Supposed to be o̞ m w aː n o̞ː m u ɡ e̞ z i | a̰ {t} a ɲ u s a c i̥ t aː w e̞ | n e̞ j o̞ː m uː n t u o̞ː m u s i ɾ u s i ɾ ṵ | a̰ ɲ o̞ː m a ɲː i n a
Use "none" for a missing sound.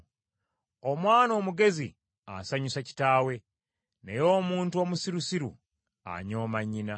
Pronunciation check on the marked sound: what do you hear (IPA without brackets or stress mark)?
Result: s